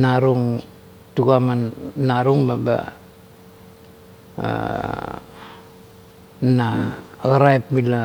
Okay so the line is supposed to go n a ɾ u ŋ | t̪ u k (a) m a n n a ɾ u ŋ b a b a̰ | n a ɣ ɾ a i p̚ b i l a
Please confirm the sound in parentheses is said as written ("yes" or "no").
yes